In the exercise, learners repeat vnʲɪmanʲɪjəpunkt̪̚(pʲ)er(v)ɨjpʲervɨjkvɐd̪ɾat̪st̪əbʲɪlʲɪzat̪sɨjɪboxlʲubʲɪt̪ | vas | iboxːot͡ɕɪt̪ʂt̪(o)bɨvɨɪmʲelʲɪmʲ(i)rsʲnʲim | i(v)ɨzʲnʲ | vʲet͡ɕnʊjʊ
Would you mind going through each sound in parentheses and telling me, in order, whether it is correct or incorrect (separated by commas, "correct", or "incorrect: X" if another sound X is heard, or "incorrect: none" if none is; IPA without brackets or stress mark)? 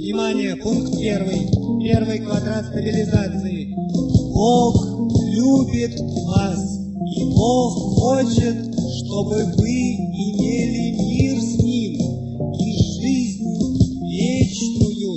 correct, correct, correct, correct, incorrect: ʐ